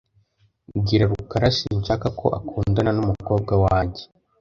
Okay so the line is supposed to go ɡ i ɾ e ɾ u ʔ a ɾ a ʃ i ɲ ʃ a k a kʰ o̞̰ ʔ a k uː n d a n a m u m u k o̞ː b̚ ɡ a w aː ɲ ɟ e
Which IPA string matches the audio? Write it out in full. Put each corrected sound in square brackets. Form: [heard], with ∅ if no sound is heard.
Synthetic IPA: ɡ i ɾ [a] ɾ u [k] a ɾ a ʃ i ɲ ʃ a k a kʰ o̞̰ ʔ a k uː n d a n a [n] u m u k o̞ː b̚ ɡ a w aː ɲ ɟ e